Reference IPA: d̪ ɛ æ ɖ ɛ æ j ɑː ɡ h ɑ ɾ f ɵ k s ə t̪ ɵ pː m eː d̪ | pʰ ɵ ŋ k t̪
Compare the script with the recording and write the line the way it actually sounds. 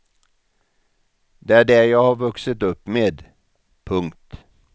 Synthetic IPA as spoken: d̪ ɛ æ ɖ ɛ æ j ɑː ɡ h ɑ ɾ v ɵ k s ə t̪ ɵ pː m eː d̪ | pʰ ɵ ŋ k t̪